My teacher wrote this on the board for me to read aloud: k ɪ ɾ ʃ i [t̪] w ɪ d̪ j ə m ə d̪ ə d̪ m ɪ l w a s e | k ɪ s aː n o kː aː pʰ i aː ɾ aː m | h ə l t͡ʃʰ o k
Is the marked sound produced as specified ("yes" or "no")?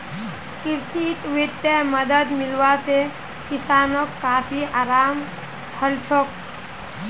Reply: yes